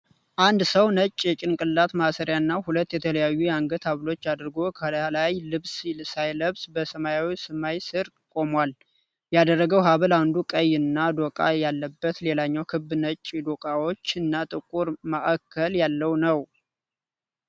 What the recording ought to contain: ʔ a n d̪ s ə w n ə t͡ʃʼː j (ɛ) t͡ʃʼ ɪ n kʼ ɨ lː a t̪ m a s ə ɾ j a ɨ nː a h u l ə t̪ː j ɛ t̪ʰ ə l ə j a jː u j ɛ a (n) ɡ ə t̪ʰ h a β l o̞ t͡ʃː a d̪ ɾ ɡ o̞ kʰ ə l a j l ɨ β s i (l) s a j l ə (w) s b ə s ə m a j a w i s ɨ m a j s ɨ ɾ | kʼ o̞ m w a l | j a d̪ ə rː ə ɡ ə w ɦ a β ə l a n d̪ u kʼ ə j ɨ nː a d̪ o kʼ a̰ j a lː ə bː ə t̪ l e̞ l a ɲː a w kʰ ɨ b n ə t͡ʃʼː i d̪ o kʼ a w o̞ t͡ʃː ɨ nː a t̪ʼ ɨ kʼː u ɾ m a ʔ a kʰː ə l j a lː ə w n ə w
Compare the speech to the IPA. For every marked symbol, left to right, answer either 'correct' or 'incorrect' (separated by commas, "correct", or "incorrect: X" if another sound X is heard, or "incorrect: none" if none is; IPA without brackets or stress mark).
correct, incorrect: ŋ, correct, incorrect: β